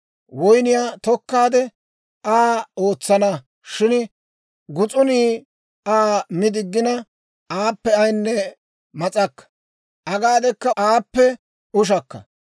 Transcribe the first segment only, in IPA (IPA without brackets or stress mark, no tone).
w